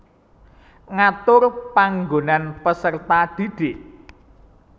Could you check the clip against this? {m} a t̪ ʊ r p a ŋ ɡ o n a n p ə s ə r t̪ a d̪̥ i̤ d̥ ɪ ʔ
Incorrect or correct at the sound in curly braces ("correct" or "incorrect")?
incorrect